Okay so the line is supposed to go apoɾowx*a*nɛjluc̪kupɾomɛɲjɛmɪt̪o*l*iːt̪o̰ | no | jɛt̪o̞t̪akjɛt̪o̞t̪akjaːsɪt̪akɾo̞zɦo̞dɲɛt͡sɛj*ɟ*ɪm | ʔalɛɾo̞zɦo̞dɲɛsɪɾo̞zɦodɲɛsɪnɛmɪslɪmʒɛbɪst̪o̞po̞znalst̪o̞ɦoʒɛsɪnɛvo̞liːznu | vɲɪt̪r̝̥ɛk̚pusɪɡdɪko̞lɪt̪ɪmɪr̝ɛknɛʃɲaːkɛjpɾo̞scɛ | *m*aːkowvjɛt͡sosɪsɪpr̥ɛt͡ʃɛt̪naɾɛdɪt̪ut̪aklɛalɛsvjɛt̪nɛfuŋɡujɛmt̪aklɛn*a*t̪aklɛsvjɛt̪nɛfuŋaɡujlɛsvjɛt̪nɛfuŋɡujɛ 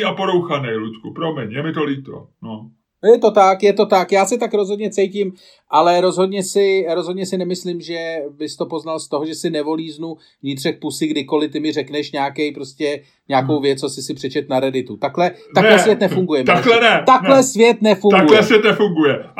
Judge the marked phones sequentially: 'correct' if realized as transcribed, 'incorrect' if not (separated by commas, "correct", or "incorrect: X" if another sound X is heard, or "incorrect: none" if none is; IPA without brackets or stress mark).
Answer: correct, correct, incorrect: c, incorrect: ɲ, incorrect: ɛ